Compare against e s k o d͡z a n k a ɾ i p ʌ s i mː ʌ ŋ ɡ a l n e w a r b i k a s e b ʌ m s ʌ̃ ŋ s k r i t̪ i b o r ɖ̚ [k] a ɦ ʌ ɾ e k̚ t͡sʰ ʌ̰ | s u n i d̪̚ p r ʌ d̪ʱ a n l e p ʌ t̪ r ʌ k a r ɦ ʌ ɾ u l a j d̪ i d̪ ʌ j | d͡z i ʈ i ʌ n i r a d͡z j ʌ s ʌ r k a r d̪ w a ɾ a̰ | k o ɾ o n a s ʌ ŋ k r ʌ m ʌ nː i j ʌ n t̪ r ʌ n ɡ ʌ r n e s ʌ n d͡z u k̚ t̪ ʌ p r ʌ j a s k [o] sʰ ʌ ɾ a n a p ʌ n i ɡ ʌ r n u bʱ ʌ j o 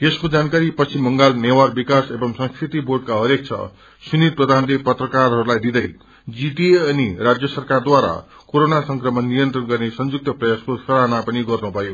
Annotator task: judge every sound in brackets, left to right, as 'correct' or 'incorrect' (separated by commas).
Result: correct, correct